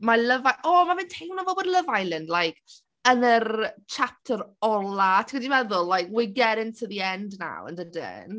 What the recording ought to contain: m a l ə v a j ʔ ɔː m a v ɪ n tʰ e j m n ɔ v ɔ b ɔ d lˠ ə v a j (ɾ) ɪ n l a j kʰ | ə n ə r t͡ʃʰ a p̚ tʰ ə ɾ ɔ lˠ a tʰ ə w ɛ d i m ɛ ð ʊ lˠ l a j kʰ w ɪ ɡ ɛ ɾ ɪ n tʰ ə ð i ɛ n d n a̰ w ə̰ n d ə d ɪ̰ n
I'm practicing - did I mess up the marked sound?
yes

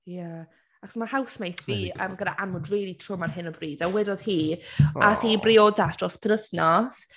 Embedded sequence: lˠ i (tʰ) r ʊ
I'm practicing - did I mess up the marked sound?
no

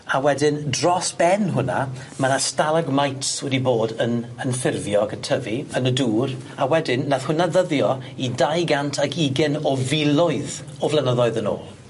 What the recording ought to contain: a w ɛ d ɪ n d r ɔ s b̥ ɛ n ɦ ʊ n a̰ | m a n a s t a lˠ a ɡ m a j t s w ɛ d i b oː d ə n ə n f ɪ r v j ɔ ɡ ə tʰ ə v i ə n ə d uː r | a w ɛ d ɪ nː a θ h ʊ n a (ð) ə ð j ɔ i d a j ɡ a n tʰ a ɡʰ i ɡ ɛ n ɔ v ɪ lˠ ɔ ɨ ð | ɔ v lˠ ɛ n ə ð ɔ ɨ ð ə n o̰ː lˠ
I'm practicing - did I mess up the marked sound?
no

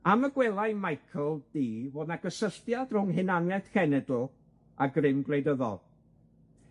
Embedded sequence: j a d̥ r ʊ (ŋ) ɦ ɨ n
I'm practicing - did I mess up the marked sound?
no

